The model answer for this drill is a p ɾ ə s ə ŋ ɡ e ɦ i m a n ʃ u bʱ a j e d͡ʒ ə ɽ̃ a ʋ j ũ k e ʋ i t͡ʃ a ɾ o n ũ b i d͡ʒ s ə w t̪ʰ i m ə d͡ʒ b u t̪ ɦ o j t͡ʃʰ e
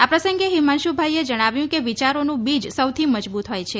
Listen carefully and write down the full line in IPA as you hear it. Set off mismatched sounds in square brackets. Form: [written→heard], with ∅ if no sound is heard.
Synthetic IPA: a p ɾ ə s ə ŋ ɡ e ɦ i m a n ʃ u bʱ a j e d͡ʒ ə ɽ̃ a ʋ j ũ k e ʋ i t͡ʃ a ɾ o n ũ b i d͡ʒ s ə w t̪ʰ i m ə d͡ʒ b u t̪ ɦ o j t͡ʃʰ e